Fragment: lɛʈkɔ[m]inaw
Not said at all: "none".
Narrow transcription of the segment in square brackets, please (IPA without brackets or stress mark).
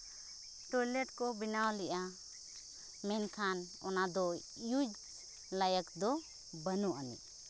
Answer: b